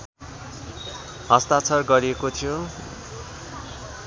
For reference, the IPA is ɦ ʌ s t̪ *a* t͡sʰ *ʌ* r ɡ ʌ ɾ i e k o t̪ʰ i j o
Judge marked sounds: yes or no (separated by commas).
yes, yes